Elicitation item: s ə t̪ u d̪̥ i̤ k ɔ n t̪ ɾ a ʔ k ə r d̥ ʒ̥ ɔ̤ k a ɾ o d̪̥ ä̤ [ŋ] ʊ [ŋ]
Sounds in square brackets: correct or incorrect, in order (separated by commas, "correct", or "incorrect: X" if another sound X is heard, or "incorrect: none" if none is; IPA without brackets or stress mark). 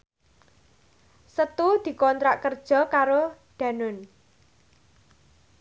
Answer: incorrect: n, incorrect: n